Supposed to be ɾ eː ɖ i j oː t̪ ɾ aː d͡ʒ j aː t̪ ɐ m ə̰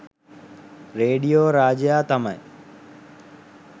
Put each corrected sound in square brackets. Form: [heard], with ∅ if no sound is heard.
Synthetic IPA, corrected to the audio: ɾ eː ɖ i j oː [∅] ɾ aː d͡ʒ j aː t̪ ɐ m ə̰